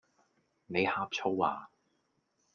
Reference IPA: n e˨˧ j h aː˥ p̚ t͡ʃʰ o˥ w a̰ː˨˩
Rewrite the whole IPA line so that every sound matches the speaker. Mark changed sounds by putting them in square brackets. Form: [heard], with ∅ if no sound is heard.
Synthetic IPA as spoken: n e˨˧ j h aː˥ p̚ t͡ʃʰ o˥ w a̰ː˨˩